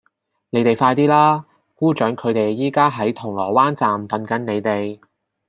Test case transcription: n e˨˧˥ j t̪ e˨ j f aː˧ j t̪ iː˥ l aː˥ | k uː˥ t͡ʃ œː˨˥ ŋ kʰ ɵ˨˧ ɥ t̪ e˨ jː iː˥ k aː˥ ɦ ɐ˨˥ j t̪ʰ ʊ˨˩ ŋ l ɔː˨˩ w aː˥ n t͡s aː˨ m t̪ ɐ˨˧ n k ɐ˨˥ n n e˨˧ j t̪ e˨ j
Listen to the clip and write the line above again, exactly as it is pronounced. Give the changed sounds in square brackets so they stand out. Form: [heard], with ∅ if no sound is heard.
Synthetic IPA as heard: n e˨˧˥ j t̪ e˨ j f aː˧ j t̪ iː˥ l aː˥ | k uː˥ t͡ʃ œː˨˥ ŋ kʰ ɵ˨˧ ɥ t̪ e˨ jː iː˥ k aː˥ ɦ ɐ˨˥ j t̪ʰ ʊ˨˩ ŋ l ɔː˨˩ w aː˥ n t͡s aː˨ m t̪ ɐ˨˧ n k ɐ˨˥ n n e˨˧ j t̪ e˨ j